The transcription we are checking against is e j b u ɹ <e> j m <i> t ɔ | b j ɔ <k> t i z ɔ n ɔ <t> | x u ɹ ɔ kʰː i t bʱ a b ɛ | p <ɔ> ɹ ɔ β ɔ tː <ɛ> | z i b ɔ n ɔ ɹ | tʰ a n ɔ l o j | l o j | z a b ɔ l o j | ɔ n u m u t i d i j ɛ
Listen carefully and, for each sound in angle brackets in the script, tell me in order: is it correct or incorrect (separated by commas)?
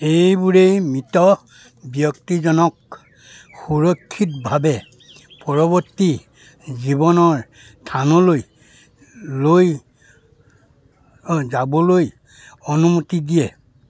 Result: correct, correct, correct, incorrect, correct, incorrect